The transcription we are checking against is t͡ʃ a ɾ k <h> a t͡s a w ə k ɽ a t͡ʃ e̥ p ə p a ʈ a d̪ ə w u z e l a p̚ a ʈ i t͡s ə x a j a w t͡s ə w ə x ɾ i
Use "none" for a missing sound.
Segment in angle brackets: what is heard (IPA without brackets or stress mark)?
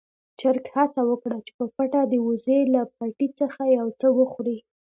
h